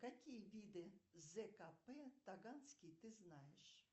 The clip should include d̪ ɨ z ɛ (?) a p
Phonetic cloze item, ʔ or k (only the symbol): k